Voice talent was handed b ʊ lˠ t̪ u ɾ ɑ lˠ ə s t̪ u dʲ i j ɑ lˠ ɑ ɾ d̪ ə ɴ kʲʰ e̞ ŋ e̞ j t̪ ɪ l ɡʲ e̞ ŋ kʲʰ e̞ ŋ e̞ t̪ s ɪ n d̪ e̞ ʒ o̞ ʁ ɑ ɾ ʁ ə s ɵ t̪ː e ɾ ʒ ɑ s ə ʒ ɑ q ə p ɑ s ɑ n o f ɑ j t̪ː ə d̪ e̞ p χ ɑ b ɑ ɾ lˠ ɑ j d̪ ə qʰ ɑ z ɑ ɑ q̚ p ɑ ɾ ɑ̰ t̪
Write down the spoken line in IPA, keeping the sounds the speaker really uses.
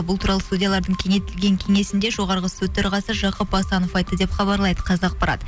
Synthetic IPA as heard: b ʊ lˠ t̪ u ɾ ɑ lˠ ə s t̪ u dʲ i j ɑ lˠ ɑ ɾ d̪ ə ɴ kʲʰ e̞ ŋ e̞ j t̪ ɪ l ɡʲ e̞ ŋ kʲʰ e̞ ŋ e̞ s ɪ n d̪ e̞ ʒ o̞ ʁ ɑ ɾ ʁ ə s ɵ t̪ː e ɾ ʁ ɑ s ə ʒ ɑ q ə p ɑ s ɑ n o f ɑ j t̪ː ə d̪ e̞ p χ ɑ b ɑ ɾ lˠ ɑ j d̪ ə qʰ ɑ z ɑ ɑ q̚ p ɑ ɾ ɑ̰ t̪